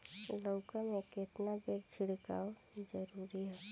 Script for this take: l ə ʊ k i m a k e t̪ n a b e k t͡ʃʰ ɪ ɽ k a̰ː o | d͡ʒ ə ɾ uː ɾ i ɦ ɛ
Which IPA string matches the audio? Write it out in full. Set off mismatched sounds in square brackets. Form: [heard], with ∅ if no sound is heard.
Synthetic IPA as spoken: l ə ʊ k [a] m [e] k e t̪ n a b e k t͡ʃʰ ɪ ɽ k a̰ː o | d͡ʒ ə ɾ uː ɾ i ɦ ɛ